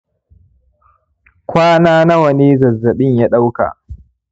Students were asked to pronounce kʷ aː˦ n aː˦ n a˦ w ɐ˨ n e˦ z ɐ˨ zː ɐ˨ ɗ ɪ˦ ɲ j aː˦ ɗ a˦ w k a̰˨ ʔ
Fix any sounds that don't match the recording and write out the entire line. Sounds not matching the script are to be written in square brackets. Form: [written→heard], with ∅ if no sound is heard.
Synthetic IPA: kʷ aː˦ n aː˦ n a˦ w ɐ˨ n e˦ z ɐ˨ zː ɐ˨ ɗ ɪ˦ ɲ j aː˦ ɗ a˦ w k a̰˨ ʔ